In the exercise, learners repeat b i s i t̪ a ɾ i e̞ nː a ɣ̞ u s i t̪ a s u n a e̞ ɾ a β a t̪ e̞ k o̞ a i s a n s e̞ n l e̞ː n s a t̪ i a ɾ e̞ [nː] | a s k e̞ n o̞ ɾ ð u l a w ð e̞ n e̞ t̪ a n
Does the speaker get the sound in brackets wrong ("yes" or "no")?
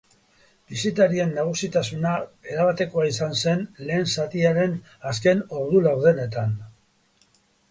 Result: yes